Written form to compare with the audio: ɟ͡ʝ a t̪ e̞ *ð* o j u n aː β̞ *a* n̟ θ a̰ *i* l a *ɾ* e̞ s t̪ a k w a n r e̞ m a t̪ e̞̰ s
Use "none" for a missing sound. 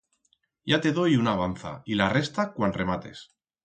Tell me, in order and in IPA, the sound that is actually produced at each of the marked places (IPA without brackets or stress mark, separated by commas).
ð, a, i, r